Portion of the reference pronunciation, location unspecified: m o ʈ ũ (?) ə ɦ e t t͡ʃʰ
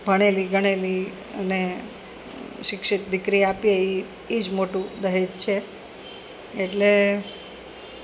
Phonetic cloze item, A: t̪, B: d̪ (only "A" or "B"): B